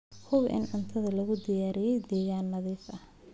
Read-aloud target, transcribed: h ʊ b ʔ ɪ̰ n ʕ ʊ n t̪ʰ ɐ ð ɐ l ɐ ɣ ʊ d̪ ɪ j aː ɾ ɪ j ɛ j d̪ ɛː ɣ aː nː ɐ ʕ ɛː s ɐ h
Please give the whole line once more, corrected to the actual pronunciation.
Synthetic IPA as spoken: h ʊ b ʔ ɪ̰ n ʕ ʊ n t̪ʰ ɐ ð ɐ l ɐ ɣ ʊ d̪ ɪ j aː ɾ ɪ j ɛ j d̪ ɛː ɣ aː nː ɐ ð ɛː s ɐ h